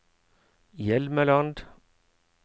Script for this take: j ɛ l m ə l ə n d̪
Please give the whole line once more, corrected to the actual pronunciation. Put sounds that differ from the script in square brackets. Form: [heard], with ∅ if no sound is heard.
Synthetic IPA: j ɛ l m ə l [ɑ] n d̪